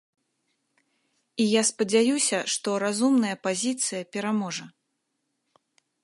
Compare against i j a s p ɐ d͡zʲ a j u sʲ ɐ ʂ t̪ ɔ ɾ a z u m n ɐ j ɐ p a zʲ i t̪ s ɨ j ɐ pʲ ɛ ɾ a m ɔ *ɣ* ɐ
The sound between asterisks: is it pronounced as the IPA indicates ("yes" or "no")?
no